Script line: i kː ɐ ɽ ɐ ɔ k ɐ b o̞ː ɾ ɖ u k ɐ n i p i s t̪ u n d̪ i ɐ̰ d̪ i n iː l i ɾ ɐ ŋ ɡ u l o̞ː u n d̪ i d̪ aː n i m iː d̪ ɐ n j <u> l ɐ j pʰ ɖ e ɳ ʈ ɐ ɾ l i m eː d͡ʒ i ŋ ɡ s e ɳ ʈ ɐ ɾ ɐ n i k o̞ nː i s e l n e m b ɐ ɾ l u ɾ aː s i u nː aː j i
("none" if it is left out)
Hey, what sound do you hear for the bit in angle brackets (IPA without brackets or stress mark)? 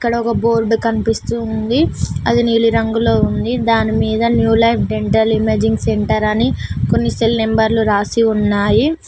uː